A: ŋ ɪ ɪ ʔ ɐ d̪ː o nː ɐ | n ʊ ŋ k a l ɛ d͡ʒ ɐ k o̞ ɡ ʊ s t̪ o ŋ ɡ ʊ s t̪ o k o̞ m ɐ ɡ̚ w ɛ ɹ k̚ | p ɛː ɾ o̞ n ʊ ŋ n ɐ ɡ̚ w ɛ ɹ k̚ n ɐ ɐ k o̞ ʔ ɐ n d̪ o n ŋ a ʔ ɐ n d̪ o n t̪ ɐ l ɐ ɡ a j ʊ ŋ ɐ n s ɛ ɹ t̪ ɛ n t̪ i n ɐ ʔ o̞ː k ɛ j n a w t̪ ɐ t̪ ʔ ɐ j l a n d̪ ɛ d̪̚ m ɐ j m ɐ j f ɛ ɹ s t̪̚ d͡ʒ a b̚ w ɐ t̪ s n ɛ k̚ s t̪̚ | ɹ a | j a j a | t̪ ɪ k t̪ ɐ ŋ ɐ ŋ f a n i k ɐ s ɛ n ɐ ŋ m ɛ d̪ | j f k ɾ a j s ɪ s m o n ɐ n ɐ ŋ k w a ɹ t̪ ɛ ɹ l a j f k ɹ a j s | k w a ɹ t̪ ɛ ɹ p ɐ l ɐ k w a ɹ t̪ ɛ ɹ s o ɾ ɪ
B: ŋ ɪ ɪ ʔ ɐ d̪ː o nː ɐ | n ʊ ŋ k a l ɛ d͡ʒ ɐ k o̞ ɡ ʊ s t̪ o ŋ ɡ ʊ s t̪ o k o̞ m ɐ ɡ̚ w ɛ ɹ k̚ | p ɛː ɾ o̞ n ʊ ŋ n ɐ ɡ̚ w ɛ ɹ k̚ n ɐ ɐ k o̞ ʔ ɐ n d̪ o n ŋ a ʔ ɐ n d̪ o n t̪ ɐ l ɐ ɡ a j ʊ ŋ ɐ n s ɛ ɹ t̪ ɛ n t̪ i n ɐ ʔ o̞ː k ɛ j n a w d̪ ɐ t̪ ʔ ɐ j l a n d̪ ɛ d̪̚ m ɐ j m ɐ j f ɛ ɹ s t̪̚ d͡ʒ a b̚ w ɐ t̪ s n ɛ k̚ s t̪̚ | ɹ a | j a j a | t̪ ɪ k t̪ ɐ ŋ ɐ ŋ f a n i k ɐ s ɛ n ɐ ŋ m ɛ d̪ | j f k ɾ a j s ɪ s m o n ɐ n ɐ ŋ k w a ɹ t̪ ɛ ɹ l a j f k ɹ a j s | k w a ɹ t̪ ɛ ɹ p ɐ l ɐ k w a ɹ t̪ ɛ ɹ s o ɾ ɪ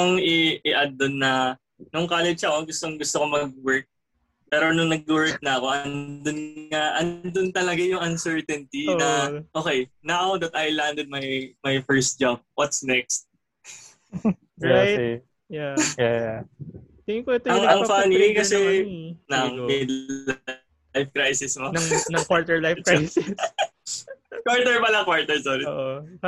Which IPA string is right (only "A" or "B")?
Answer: B